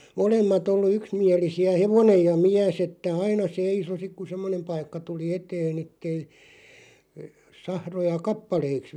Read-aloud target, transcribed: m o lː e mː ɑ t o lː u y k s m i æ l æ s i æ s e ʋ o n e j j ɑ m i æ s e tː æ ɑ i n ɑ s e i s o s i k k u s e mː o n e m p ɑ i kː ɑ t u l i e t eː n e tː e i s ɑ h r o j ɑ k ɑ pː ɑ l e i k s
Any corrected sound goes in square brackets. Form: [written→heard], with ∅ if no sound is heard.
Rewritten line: m o [lː→l] e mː ɑ t o lː u y k s m i æ l [æ→i] s i æ [s→h] e ʋ o n e j j ɑ m i æ s e tː æ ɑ i n ɑ s e i s o s i k k u s e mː o n e m p ɑ i kː ɑ t u l i e t eː n e tː e i s ɑ h r o j ɑ k ɑ pː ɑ l e i k s